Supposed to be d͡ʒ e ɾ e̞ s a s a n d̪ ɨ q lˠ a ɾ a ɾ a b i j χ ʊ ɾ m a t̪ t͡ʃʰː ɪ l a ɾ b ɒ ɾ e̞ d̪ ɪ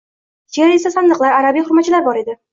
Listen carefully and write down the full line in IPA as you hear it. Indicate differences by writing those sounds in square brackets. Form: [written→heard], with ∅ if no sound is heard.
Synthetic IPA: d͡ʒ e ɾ e̞ s a s a n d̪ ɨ q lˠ a ɾ a ɾ a b i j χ ʊ ɾ m a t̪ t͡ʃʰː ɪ l a ɾ b ɒ ɾ e̞ d̪ ɪ